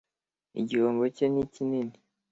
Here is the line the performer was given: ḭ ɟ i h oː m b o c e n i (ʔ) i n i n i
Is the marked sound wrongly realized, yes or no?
yes